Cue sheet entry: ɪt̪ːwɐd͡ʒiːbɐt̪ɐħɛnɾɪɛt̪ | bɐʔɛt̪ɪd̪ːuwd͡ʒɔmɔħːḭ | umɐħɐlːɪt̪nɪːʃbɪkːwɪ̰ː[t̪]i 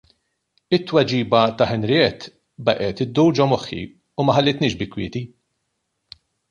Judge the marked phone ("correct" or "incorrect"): correct